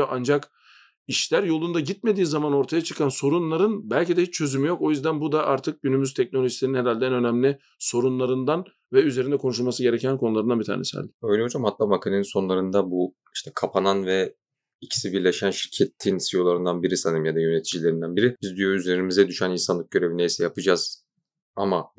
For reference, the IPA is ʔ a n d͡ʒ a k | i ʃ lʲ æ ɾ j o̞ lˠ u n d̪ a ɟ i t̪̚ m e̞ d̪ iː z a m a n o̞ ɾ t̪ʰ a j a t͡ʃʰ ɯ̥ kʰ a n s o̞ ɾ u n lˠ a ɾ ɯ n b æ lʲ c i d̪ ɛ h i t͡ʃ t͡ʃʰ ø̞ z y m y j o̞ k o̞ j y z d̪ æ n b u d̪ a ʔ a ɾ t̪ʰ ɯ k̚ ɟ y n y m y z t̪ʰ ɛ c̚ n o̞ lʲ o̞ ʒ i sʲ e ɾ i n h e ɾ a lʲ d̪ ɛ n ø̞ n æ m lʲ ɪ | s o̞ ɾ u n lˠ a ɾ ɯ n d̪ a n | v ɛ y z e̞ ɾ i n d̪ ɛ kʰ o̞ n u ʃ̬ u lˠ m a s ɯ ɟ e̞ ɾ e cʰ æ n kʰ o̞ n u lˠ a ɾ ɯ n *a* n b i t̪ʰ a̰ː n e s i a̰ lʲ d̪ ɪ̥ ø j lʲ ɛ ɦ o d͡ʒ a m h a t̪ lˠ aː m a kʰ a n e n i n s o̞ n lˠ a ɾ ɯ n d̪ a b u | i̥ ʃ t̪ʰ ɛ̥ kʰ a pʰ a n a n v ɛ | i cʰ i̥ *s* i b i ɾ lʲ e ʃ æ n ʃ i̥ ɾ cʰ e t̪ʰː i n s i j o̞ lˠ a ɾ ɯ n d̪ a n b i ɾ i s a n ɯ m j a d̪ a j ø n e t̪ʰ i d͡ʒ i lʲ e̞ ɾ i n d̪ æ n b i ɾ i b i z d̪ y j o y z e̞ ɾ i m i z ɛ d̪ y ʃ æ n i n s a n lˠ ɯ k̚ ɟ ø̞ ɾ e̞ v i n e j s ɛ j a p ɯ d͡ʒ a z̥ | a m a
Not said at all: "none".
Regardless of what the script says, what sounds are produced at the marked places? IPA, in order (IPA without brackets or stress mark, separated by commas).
a, s